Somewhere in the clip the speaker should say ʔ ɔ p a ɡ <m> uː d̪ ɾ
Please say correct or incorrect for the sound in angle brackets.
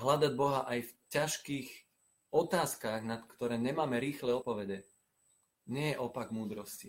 correct